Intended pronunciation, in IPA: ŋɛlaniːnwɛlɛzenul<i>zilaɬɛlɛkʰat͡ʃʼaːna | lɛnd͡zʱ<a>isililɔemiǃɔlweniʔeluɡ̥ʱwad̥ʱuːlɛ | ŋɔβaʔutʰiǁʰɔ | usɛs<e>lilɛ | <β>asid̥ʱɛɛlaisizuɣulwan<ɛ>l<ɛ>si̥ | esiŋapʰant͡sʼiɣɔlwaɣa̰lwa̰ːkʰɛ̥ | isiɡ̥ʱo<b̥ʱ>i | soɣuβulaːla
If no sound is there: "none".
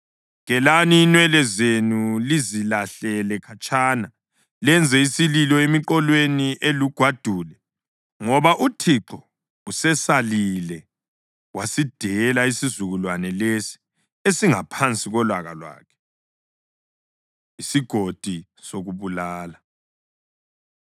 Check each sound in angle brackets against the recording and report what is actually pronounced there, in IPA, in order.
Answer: i, ɛ, a, w, ɛ, e, d̥ʱ

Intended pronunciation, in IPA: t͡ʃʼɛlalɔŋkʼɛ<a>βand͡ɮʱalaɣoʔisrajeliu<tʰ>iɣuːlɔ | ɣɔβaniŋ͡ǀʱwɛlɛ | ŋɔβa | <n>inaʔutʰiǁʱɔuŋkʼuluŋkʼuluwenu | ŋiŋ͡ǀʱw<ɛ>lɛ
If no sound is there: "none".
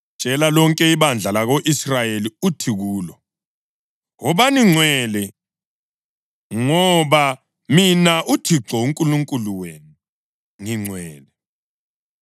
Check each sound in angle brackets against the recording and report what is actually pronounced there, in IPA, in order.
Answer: i, tʰ, m, ɛː

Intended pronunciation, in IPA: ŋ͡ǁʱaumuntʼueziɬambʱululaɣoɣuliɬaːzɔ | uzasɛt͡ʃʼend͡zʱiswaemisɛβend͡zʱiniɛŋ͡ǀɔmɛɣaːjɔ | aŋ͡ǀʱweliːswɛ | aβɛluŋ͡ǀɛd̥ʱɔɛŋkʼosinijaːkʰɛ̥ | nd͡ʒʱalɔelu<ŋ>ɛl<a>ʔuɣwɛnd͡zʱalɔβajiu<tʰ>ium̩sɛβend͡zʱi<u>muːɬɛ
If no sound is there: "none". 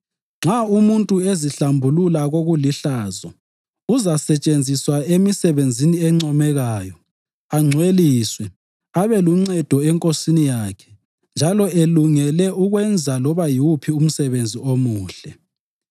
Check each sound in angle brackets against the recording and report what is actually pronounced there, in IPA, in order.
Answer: ŋ, ɛ, pʰ, o

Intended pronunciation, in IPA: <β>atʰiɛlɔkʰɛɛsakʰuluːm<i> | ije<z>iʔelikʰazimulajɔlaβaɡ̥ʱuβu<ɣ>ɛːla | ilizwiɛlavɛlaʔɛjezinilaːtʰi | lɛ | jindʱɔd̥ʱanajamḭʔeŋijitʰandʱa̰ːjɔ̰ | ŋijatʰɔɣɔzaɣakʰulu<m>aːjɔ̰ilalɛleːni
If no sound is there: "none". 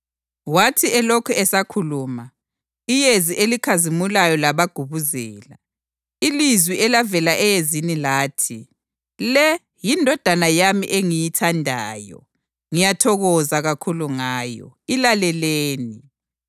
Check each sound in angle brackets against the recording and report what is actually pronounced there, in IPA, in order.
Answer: w, a, z, z, ŋ

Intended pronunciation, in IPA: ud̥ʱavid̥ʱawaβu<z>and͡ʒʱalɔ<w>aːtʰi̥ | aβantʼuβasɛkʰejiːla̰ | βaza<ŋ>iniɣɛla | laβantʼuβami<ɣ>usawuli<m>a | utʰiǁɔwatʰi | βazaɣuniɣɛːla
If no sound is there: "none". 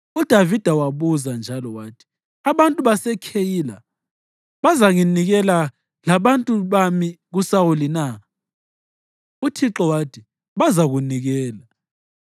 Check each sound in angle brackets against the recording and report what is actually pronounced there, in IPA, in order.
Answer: z, w, ŋ, ɣ, n

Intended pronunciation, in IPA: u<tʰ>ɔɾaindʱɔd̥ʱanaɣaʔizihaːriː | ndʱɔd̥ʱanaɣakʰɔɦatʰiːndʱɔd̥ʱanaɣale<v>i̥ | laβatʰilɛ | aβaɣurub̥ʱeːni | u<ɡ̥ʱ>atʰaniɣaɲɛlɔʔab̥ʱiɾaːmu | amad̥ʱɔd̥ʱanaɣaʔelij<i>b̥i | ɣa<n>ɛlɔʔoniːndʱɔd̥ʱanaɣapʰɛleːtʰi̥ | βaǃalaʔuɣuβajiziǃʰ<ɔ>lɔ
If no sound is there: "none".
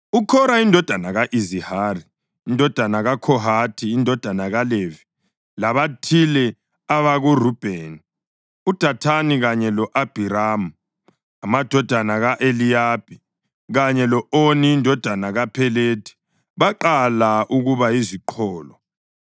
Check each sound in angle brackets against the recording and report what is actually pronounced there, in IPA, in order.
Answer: kʰ, v, d̥ʱ, a, ɲ, ɔː

